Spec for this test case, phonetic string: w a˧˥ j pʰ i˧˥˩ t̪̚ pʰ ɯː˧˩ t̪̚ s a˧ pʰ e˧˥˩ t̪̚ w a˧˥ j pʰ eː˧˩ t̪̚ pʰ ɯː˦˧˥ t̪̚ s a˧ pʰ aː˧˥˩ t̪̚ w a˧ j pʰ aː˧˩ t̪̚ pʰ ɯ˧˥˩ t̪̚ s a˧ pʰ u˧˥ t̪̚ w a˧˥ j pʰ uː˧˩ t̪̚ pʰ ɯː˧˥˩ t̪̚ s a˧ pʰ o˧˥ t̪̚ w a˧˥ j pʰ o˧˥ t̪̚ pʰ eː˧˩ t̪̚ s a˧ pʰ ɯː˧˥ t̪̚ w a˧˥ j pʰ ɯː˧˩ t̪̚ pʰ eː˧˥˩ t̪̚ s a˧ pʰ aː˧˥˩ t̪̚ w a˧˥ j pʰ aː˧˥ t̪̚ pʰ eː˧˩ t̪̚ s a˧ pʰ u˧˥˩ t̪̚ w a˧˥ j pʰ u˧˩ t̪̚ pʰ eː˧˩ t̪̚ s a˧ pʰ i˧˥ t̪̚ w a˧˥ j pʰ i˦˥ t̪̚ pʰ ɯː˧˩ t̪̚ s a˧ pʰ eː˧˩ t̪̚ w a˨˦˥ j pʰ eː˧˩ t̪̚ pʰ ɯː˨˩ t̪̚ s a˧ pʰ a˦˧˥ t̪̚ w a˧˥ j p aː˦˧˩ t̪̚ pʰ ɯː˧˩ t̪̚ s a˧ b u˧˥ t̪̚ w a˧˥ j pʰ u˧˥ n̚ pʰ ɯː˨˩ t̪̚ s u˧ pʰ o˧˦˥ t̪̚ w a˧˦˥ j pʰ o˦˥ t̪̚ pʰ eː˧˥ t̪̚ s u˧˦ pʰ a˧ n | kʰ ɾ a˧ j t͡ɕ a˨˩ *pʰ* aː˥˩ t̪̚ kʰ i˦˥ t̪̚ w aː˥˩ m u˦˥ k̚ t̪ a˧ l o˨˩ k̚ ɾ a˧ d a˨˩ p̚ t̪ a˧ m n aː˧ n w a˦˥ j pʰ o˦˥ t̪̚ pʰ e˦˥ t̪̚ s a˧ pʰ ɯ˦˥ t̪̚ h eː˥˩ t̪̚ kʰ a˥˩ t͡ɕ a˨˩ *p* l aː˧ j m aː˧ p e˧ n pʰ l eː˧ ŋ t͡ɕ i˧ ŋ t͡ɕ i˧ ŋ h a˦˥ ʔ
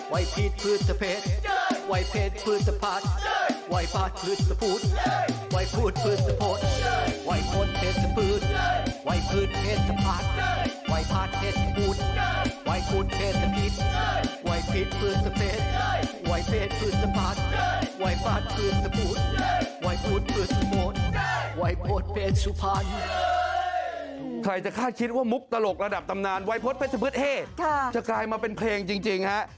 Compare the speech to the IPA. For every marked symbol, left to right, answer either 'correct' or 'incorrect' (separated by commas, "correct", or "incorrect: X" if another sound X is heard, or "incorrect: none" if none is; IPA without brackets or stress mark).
incorrect: kʰ, incorrect: k